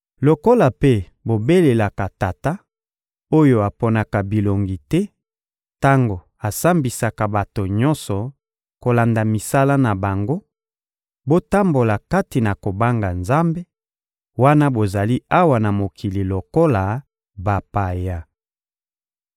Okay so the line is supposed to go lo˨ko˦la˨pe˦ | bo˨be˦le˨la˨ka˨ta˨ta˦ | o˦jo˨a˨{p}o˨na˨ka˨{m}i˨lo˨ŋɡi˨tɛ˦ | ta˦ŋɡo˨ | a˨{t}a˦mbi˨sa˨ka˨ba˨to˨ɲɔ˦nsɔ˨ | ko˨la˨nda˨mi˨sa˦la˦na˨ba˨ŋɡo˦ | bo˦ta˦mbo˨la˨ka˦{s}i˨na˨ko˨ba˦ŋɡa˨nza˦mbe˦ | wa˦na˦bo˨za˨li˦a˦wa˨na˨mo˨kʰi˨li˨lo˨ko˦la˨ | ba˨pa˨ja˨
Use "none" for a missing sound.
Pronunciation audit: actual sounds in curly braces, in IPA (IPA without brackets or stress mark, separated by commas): p, b, s, t